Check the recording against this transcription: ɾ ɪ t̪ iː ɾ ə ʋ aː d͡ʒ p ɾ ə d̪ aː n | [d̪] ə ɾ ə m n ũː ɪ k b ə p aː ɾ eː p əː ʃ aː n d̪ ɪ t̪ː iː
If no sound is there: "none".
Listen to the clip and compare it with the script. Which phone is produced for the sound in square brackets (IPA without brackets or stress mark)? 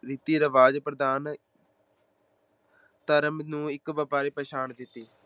t̪